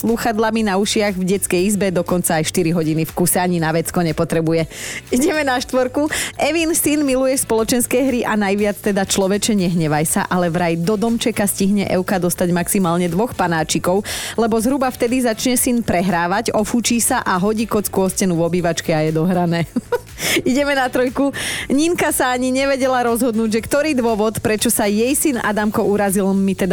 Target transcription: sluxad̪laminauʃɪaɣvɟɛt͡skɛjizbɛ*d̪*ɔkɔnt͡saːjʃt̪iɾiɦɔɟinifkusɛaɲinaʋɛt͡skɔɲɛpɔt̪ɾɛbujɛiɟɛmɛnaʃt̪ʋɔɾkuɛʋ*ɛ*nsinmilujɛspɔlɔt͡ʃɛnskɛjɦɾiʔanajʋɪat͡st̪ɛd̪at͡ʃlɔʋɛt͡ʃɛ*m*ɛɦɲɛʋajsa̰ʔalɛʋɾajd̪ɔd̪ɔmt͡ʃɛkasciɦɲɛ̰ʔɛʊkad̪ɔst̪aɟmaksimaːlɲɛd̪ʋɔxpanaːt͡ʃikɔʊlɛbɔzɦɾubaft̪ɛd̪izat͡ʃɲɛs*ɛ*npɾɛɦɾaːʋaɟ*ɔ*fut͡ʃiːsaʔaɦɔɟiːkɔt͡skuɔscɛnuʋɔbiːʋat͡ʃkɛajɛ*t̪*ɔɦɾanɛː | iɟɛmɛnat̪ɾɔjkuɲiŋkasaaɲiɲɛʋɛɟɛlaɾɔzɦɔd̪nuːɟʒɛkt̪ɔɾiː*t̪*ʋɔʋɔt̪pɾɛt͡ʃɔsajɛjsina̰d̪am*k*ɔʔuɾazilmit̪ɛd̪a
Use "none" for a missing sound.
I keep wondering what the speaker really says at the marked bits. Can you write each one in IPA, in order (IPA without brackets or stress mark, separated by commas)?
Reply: d̪, i, ɲ, i, ɔ, d̪, d̪, k